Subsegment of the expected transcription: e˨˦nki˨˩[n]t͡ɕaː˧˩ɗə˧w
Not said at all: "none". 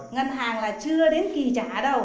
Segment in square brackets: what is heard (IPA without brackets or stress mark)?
none